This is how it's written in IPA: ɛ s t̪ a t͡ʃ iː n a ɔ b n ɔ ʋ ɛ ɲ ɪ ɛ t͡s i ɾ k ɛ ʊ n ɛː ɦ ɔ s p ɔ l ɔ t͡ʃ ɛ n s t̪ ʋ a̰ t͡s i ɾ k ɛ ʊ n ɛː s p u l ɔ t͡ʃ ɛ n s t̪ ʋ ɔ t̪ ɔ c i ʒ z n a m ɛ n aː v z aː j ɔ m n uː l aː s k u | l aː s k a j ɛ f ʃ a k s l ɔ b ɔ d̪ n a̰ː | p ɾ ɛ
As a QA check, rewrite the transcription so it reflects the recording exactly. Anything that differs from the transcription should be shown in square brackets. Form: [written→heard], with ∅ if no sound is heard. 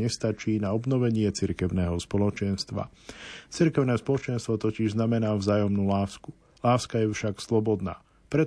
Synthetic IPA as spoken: ɛ s t̪ a t͡ʃ iː n a ɔ b n ɔ ʋ ɛ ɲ ɪ ɛ t͡s i ɾ k ɛ ʊ n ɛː ɦ ɔ s p ɔ l ɔ t͡ʃ ɛ n s t̪ ʋ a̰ t͡s i ɾ k ɛ ʊ n ɛː s p [u→ɔ] l ɔ t͡ʃ ɛ n s t̪ ʋ ɔ t̪ ɔ c i ʒ z n a m ɛ n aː v z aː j ɔ m n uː l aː s k u | l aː s k a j ɛ f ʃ a k s l ɔ b ɔ d̪ n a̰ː | p ɾ ɛ